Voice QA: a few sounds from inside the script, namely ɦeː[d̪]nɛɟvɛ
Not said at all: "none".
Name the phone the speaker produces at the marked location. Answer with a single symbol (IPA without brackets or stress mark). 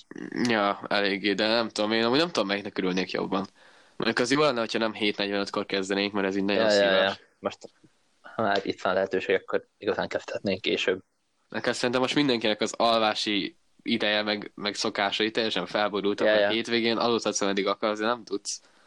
t̪